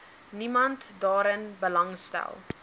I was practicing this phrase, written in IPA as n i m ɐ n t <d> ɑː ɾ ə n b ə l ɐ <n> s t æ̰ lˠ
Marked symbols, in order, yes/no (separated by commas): yes, no